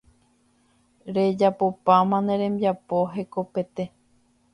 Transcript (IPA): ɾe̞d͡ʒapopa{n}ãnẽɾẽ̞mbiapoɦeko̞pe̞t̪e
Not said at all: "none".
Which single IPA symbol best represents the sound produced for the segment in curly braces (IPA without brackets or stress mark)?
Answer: m